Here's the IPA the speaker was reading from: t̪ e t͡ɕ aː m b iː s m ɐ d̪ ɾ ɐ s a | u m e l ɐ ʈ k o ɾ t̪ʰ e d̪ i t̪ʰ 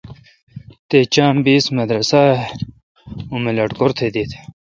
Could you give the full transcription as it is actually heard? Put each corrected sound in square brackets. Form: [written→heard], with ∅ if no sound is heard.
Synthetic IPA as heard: t̪ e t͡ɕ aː m b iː s m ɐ d̪ ɾ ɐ s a | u m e l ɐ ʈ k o ɾ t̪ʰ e d̪ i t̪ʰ

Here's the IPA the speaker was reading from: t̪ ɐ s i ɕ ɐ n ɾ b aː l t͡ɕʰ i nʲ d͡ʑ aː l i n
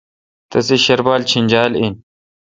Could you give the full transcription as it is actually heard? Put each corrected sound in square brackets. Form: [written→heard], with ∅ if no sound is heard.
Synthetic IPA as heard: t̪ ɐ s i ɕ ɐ [n→∅] ɾ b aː l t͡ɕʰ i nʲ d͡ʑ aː l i n

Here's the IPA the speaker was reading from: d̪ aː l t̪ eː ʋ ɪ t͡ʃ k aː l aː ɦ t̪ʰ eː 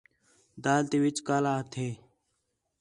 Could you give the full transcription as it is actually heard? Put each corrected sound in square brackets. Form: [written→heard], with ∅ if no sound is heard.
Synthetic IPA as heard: d̪ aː l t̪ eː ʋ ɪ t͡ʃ k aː l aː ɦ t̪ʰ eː

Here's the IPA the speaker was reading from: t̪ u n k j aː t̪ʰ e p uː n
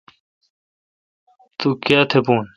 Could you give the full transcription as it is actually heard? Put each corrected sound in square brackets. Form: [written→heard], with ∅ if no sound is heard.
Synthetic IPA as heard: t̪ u [n→∅] k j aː t̪ʰ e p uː n

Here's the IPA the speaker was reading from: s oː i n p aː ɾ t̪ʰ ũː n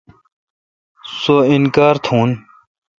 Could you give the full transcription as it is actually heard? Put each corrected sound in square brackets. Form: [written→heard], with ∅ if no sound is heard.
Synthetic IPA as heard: s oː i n [p→k] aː ɾ t̪ʰ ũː n

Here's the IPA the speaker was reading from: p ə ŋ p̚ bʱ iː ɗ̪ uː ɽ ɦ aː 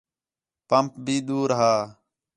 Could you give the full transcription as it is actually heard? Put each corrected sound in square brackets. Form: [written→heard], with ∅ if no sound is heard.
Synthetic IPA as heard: p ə [ŋ→m] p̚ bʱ iː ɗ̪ uː [ɽ→ɾ] ɦ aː

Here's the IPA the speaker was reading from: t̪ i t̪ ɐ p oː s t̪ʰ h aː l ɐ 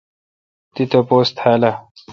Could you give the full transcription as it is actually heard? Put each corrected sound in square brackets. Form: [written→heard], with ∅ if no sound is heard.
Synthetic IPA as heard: t̪ i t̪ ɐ p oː s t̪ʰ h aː l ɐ

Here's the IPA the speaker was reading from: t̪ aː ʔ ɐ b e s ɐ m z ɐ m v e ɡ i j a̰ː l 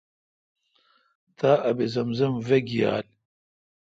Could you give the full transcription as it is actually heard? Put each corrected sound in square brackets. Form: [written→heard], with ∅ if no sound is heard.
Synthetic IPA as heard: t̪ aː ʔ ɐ b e [s→z] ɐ m z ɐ m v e ɡ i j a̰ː l

